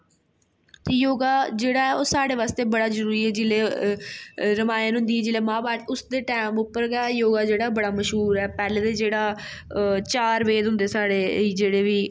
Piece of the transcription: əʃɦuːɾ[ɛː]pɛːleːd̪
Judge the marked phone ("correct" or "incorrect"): correct